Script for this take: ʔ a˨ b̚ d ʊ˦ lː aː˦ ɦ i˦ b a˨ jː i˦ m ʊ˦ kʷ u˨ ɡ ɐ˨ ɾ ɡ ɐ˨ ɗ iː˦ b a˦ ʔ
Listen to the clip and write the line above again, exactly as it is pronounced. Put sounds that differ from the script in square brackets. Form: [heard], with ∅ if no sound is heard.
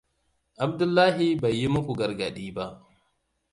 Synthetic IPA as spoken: ʔ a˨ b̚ d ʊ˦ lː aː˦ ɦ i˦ b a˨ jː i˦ m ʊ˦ kʷ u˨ ɡ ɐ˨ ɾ ɡ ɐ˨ ɗ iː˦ b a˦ ʔ